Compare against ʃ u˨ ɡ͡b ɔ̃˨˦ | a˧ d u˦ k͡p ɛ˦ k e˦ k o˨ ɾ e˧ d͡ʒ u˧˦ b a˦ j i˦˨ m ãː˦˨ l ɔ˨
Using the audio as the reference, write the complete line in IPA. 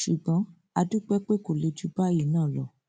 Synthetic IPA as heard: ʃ u˨ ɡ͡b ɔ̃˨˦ | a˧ d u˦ k͡p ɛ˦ k͡p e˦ k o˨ l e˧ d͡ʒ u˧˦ b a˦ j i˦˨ n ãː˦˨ l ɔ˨